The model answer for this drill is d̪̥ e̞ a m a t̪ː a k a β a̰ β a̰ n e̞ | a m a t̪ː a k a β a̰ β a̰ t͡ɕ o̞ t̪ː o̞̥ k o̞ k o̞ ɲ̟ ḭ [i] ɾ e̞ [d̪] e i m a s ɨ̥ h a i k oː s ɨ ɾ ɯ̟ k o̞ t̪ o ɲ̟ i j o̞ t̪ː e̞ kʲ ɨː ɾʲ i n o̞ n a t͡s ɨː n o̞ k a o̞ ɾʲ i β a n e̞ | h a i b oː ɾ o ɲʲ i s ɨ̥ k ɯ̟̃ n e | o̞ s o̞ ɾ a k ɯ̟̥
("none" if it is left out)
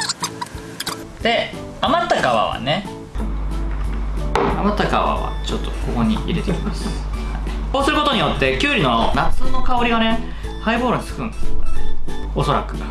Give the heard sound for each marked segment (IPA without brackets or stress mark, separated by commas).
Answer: i, t̪